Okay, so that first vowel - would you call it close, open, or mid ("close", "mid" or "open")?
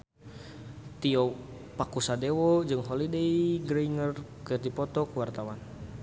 close